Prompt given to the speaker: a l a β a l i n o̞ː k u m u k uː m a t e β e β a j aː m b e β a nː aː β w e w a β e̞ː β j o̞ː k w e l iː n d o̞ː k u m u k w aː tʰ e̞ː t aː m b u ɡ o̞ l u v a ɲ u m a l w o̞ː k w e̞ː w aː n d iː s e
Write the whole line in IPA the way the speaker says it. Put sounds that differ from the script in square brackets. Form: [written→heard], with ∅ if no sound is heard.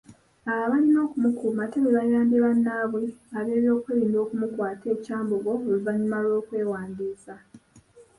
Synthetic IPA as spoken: a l a β a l i n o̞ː k u m u k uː m a t e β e β a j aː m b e β a nː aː β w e [w→∅] a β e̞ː β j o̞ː k w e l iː n d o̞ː k u m u k w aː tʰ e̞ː [t→c] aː m b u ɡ o̞ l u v a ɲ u m a l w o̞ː k w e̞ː w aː n d iː s [e→a]